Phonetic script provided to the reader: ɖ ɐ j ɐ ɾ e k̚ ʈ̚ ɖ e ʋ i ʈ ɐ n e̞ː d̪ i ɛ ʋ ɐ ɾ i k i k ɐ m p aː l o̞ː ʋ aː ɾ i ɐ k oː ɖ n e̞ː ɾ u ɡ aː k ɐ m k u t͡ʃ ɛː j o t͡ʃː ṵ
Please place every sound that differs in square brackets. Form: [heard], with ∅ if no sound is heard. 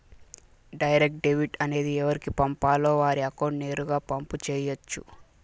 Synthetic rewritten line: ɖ ɐ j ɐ ɾ e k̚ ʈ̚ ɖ e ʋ i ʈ ɐ n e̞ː d̪ i ɛ ʋ ɐ ɾ i k i [p] ɐ m p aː l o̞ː ʋ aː ɾ i ɐ k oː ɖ n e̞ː ɾ u ɡ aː [p] ɐ m [p] u t͡ʃ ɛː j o t͡ʃː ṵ

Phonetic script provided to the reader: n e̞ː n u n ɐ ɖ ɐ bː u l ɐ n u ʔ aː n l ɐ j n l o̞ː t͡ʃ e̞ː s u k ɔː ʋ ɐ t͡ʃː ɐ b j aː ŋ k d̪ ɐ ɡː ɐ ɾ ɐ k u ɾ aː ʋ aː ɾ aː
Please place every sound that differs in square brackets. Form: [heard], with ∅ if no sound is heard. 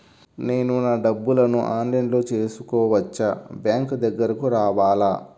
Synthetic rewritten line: n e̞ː n u n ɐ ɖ ɐ bː u l ɐ n u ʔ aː n l ɐ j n l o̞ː t͡ʃ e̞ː s u k ɔː ʋ ɐ t͡ʃː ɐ b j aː ŋ k d̪ ɐ ɡː ɐ ɾ ɐ k u ɾ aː ʋ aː [l] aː

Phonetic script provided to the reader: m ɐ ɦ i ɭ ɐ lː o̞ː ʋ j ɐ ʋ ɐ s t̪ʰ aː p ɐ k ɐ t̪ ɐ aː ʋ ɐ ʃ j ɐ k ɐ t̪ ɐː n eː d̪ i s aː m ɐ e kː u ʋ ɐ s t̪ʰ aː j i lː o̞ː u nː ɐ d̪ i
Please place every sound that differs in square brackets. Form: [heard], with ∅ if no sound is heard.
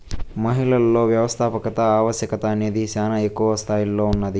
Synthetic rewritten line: m ɐ ɦ i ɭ ɐ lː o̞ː ʋ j ɐ ʋ ɐ s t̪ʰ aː p ɐ k ɐ t̪ ɐ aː ʋ ɐ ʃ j ɐ k ɐ t̪ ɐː n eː d̪ i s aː [n] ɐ e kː u ʋ ɐ s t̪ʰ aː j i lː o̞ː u nː ɐ d̪ i

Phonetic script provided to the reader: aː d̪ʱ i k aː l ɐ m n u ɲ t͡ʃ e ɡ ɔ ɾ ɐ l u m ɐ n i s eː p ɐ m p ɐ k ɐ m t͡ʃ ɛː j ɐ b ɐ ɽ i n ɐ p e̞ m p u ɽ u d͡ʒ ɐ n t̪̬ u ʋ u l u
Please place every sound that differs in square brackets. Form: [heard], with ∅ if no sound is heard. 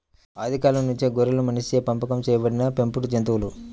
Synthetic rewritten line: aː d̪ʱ i k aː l ɐ m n u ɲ t͡ʃ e ɡ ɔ ɾ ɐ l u m ɐ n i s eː p ɐ m p ɐ k ɐ m t͡ʃ ɛː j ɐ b ɐ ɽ i n ɐ p e̞ m p u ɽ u d͡ʒ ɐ n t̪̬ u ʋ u l u

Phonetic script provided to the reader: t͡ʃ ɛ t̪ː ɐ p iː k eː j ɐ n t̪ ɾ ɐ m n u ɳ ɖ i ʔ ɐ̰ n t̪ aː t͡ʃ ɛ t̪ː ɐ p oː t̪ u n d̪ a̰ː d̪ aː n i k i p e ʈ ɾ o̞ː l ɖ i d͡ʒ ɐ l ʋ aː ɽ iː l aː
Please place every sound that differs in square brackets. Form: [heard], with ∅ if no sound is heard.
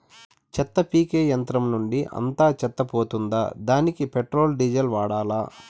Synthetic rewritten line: t͡ʃ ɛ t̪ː ɐ p iː k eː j ɐ n t̪ ɾ ɐ m n u ɳ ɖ i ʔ ɐ̰ n t̪ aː t͡ʃ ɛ t̪ː ɐ p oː t̪ u n d̪ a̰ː d̪ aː n i k i p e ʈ ɾ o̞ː l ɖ i d͡ʒ ɐ l ʋ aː ɽ [aː] l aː

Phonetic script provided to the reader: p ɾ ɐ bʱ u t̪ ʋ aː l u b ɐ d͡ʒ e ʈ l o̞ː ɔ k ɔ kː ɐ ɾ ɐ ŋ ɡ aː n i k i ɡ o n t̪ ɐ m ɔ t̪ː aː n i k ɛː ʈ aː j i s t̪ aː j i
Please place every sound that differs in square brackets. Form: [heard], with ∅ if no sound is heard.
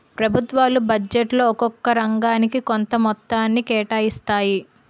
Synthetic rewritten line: p ɾ ɐ bʱ u t̪ ʋ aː l u b ɐ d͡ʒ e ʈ l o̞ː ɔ k ɔ kː ɐ ɾ ɐ ŋ ɡ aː n i k i [k] o n t̪ ɐ m ɔ t̪ː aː [nː] i k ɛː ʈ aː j i s t̪ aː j i

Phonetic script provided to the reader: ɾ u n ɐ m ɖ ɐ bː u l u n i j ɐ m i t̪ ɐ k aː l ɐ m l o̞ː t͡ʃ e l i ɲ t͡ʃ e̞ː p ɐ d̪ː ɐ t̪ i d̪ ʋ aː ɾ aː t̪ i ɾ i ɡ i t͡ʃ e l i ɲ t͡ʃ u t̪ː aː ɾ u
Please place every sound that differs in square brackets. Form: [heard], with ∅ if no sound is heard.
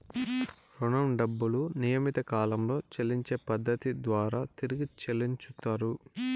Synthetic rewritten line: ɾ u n ɐ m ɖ ɐ bː u l u n i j ɐ m i t̪ ɐ k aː l ɐ m l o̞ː t͡ʃ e l i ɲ t͡ʃ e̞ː p ɐ d̪ː ɐ t̪ i d̪ ʋ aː ɾ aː t̪ i ɾ i ɡ i t͡ʃ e l i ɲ t͡ʃ u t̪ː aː ɾ u

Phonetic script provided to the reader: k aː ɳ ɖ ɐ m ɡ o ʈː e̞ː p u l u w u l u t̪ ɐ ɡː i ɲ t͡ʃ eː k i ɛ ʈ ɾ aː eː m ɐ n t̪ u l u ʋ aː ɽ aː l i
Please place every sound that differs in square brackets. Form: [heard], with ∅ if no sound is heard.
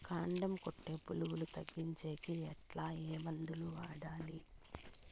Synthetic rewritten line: k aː ɳ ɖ ɐ m [k] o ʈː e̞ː p u l u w u l u t̪ ɐ ɡː i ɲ t͡ʃ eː k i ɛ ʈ [l] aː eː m ɐ n [d̪] u l u ʋ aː ɽ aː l i

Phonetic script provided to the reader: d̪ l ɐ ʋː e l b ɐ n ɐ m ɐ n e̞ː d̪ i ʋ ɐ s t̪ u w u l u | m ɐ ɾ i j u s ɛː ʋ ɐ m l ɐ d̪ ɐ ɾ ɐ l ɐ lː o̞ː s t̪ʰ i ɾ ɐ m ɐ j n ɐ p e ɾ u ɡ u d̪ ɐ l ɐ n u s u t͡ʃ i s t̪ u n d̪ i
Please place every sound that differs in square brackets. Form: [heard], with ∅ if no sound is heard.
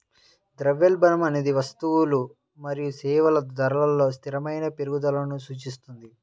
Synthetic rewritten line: d̪ [ɾ] ɐ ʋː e l b ɐ n ɐ m ɐ n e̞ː d̪ i ʋ ɐ s t̪ u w u l u | m ɐ ɾ i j u s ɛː ʋ ɐ [∅] l ɐ d̪ ɐ ɾ ɐ l ɐ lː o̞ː s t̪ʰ i ɾ ɐ m ɐ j n ɐ p e ɾ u ɡ u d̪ ɐ l ɐ n u s [uː] t͡ʃ i s t̪ u n d̪ i

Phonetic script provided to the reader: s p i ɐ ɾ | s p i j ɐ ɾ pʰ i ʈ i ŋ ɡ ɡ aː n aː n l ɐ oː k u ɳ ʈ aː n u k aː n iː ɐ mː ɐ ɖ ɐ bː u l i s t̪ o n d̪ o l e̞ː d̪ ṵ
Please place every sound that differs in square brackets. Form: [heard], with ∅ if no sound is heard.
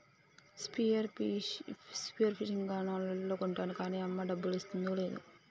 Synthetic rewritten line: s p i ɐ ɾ | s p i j ɐ ɾ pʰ i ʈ i ŋ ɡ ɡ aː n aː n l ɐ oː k u ɳ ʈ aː n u k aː n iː ɐ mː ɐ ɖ ɐ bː u l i s t̪ [u] n d̪ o l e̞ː d̪ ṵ

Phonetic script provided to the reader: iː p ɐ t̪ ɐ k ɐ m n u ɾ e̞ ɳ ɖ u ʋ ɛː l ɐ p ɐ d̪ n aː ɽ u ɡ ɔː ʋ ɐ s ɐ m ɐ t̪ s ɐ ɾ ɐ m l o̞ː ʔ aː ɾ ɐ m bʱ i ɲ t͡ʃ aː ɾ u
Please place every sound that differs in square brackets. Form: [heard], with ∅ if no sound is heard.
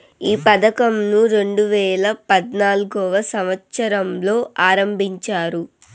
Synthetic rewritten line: iː p ɐ [d̪] ɐ k ɐ m n u ɾ e̞ ɳ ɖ u ʋ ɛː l ɐ p ɐ d̪ n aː [l] u ɡ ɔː ʋ ɐ s ɐ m ɐ t̪ s ɐ ɾ ɐ m l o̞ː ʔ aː ɾ ɐ m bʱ i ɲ t͡ʃ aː ɾ u

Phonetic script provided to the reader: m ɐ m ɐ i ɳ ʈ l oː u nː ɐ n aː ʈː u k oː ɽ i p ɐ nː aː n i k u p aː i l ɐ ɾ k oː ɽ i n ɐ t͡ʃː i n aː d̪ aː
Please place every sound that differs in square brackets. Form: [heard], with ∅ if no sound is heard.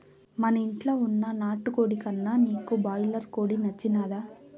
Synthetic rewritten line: m ɐ [n] ɐ i ɳ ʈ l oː u nː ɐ n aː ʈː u k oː ɽ i [k] ɐ nː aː n [iː] k u [b] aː [j] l ɐ ɾ k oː ɽ i n ɐ t͡ʃː i n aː d̪ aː

